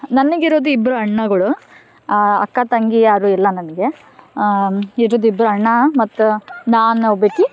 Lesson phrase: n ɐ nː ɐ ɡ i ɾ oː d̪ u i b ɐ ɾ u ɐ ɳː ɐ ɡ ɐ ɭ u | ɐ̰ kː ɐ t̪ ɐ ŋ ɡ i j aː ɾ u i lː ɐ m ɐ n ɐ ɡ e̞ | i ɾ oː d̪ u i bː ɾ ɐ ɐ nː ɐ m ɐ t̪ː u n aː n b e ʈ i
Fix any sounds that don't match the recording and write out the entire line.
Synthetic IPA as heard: n ɐ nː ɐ ɡ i ɾ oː d̪ u i b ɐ ɾ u ɐ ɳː ɐ ɡ ɐ ɭ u | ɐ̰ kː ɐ t̪ ɐ ŋ ɡ i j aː ɾ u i lː ɐ n ɐ n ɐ ɡ e̞ | i ɾ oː d̪ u i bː ɾ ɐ ɐ ɳː ɐ m ɐ t̪ː u n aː n b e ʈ i